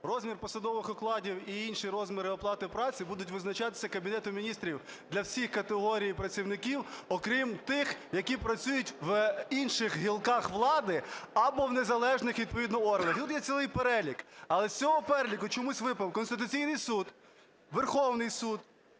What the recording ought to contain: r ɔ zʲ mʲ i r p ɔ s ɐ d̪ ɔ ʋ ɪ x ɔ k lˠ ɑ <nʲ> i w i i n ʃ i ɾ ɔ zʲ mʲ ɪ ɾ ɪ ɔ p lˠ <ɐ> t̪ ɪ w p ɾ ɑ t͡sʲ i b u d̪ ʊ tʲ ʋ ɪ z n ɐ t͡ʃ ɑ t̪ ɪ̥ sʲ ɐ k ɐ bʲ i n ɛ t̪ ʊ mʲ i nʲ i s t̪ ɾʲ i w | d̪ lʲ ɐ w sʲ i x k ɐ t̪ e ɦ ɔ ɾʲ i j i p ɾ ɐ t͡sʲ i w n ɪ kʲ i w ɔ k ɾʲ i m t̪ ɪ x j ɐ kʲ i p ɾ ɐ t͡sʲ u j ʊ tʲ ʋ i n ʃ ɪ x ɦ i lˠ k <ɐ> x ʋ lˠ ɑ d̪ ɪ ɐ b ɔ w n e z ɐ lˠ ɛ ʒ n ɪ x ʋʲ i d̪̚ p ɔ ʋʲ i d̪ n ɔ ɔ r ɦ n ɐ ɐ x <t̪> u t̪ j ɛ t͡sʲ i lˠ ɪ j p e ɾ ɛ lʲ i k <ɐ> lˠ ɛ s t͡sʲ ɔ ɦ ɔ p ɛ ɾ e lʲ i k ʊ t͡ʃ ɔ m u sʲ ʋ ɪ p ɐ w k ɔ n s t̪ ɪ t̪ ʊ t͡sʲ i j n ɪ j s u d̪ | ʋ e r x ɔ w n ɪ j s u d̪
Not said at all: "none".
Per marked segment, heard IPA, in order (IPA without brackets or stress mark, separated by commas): dʲ, ɑ, ɑ, t̪, ɐ